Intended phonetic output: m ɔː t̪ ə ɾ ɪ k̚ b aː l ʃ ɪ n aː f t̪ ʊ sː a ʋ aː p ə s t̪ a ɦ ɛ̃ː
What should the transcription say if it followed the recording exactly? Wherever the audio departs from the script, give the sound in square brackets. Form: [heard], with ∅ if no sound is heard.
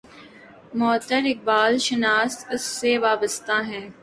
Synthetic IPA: m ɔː t̪ ə ɾ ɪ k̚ b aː l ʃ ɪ n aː [s] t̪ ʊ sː [e] ʋ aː [b] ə s t̪ a ɦ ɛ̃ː

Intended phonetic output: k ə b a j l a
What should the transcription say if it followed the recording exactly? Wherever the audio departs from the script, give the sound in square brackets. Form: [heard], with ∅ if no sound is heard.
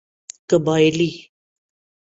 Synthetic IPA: k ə b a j l [i]

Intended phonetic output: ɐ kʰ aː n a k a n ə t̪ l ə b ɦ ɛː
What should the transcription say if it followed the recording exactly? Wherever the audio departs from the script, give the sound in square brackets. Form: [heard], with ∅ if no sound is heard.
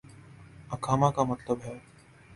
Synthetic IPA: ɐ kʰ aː [m] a k a [m] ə t̪ l ə b ɦ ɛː

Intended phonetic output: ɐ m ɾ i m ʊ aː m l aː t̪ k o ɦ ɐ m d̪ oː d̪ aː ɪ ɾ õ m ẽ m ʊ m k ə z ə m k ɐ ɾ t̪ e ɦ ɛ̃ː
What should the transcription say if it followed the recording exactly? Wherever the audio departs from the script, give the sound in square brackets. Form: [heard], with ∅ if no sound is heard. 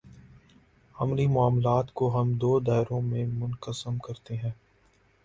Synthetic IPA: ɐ m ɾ i m ʊ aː m l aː t̪ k o ɦ ɐ m d̪ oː d̪ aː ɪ ɾ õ m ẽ m ʊ [n] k ə [s] ə m k ɐ ɾ t̪ e ɦ ɛ̃ː

